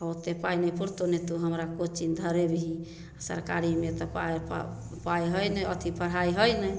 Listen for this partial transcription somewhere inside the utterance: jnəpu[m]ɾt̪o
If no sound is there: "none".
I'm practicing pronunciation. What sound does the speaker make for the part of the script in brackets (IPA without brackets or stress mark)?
none